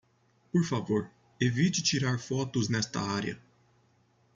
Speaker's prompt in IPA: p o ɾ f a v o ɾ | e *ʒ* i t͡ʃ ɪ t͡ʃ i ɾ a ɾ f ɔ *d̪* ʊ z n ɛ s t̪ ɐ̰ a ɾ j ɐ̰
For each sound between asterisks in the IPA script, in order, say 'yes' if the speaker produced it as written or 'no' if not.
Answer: no, no

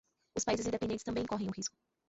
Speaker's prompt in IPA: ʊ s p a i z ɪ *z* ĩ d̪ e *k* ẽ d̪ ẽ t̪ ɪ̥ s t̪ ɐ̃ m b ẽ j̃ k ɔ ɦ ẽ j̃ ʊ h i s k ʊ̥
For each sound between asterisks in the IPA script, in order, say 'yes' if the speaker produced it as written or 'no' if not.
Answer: yes, no

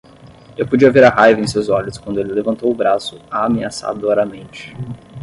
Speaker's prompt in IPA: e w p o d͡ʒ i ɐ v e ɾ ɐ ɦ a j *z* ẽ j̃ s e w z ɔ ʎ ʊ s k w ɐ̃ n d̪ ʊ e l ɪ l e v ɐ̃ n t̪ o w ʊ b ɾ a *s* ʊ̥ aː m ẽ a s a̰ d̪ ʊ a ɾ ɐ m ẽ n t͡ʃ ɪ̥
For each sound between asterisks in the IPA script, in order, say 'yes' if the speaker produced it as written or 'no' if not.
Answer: no, yes

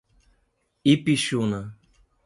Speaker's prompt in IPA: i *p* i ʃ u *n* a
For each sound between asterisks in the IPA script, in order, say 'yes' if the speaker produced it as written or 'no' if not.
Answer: yes, yes

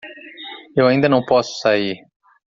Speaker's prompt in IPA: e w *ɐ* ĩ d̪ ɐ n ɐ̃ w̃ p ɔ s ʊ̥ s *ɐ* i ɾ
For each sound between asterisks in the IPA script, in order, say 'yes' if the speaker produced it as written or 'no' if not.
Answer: no, no

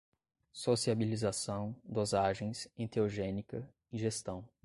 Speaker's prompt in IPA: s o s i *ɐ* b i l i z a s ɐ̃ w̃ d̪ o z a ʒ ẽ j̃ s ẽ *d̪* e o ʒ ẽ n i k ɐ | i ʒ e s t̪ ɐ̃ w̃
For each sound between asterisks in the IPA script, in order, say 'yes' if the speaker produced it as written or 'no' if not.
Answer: no, no

